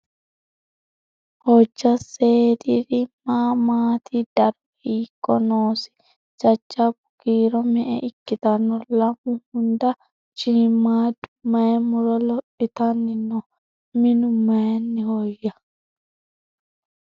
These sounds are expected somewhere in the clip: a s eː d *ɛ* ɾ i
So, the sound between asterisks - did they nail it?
no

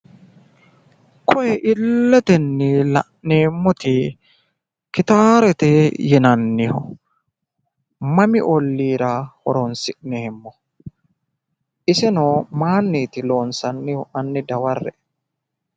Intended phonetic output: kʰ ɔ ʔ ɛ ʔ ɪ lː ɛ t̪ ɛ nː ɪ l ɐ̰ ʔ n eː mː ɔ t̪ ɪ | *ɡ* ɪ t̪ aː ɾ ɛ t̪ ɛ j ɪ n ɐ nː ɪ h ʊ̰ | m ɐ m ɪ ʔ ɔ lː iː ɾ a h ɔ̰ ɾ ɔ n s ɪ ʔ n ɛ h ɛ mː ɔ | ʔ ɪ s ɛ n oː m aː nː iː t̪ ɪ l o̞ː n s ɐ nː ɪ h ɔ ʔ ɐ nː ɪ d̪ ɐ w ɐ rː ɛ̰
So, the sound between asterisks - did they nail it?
no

